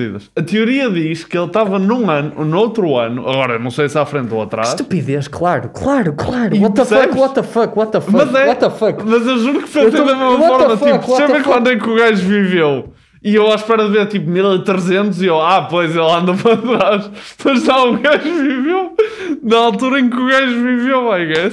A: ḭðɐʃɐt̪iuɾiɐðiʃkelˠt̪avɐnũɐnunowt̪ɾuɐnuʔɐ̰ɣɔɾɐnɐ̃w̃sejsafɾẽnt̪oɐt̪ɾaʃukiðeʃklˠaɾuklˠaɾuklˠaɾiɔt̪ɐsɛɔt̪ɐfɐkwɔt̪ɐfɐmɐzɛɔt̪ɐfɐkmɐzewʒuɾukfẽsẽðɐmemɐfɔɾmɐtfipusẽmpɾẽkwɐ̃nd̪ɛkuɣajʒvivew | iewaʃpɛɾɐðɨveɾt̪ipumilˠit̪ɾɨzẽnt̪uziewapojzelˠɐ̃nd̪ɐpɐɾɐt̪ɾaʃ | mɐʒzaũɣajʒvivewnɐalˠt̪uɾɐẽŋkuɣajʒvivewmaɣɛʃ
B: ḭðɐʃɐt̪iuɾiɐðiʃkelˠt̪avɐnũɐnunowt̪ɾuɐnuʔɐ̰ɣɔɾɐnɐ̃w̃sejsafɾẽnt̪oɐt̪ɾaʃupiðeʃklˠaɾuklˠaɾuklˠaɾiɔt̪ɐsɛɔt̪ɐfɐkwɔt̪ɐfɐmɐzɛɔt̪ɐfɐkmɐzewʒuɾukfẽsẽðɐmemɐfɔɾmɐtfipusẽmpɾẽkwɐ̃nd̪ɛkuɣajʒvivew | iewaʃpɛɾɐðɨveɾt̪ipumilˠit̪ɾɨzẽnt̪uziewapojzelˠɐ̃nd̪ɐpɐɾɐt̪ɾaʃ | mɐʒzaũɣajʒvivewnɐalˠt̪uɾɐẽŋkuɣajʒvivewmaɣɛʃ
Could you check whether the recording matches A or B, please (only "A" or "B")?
B